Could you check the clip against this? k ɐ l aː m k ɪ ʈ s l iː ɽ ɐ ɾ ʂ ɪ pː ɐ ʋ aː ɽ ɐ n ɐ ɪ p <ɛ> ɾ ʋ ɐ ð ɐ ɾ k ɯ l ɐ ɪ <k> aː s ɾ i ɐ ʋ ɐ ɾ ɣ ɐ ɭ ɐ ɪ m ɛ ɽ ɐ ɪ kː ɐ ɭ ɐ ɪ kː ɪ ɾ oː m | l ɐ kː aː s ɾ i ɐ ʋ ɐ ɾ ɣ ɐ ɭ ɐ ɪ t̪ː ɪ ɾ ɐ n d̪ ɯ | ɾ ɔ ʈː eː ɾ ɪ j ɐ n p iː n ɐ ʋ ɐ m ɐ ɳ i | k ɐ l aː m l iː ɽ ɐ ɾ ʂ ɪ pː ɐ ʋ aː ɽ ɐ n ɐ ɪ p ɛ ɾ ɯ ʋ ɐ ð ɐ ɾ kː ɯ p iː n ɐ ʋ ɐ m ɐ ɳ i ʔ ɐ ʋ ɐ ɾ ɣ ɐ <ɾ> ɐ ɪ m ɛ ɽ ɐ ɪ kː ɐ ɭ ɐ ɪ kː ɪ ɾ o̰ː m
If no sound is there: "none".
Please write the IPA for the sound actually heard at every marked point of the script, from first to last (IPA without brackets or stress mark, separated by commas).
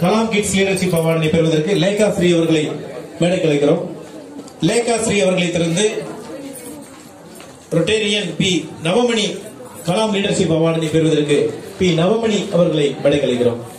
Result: ɛ, k, ɭ